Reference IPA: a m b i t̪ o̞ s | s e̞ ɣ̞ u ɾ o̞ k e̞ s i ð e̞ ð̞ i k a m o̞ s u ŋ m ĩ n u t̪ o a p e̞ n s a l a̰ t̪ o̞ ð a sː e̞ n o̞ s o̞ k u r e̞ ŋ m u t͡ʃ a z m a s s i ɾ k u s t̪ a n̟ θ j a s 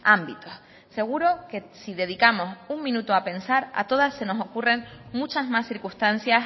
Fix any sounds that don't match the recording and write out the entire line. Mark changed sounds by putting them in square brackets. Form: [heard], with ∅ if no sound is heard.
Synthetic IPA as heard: a m b i t̪ o̞ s | s e̞ ɣ̞ u ɾ o̞ k e̞ s i ð e̞ ð̞ i k a m o̞ s u ŋ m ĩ n u t̪ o a p e̞ n s a [ɾ] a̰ t̪ o̞ ð a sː e̞ n o̞ s o̞ k u r e̞ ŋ m u t͡ʃ a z m a s [θ] i ɾ k u s t̪ a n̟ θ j a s